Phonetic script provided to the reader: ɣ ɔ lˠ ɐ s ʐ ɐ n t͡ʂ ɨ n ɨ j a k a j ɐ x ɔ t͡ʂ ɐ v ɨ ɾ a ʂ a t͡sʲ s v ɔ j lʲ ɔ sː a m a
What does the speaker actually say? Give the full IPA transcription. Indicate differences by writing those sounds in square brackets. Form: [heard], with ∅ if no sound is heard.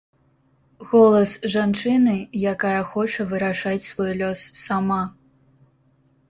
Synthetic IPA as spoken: ɣ ɔ lˠ ɐ s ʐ [a] n t͡ʂ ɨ n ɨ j a k a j ɐ x ɔ t͡ʂ ɐ v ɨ ɾ a ʂ a t͡sʲ s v ɔ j lʲ ɔ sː a m a